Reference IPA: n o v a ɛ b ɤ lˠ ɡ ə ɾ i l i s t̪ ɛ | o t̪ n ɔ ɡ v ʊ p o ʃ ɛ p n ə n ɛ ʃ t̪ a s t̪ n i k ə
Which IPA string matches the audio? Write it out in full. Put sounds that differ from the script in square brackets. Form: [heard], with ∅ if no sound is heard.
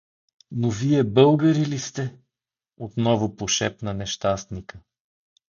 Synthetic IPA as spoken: n o v [i] ɛ b ɤ lˠ ɡ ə ɾ i l i s t̪ ɛ | o t̪ n ɔ [∅] v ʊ p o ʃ ɛ p n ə n ɛ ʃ t̪ a s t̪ n i k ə

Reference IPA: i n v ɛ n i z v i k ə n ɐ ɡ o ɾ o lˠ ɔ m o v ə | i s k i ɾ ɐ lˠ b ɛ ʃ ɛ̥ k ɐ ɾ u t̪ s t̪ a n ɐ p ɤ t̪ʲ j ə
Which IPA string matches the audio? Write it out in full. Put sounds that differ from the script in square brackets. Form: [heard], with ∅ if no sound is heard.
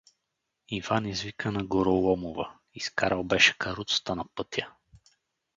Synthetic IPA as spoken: i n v [a] n i z v i k ə n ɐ ɡ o ɾ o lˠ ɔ m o v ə | i s k [a] ɾ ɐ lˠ b ɛ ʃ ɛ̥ k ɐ ɾ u t̪ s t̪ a n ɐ p ɤ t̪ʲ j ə

